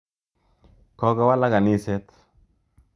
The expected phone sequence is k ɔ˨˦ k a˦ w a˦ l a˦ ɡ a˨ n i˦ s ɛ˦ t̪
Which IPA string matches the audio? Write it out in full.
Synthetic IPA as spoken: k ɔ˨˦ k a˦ w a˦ l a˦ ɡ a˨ n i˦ s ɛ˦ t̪